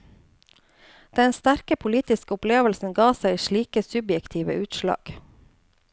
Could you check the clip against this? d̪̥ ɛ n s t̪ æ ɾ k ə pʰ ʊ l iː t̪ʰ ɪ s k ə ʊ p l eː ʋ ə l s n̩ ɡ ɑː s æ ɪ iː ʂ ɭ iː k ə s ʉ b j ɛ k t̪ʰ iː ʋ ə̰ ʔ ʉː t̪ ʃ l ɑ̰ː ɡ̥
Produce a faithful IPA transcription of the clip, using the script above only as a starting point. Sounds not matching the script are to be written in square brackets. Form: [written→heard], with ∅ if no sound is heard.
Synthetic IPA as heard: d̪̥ ɛ n s t̪ æ ɾ k ə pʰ ʊ l iː [t̪ʰ→t̪] ɪ s k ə ʊ p l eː ʋ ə l s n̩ ɡ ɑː s æ ɪ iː [ʂ→ʃ] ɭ iː k ə s ʉ b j ɛ k t̪ʰ iː ʋ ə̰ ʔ ʉː t̪ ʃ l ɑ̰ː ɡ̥